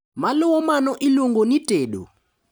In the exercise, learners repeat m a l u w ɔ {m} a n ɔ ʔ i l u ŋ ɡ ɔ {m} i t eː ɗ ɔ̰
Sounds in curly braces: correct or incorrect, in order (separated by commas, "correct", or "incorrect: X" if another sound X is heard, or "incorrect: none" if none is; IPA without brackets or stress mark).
correct, incorrect: n